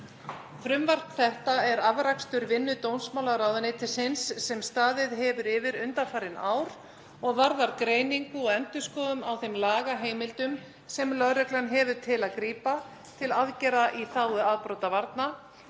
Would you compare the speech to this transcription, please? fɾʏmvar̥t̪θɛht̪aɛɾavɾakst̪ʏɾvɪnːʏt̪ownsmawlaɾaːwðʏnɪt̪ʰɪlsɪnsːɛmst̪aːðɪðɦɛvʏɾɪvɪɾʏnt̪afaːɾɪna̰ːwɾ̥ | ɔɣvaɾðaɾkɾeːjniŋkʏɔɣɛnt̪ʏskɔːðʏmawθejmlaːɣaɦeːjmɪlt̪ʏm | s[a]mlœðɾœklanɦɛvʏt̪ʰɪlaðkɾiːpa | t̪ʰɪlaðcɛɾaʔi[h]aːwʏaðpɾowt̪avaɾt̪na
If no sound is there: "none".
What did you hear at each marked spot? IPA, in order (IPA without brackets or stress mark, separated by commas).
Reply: ɛ, θ